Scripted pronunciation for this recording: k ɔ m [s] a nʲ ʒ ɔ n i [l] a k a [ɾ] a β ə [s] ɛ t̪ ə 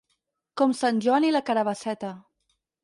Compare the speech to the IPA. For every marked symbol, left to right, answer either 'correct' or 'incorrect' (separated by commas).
correct, correct, correct, correct